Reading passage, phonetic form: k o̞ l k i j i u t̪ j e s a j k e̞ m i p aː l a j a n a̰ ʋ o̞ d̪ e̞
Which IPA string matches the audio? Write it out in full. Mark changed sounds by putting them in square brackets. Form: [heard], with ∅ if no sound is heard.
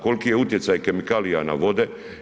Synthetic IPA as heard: k o̞ l k i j [e] u t̪ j e s a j k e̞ m i [k] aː l [i] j a n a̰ ʋ o̞ d̪ e̞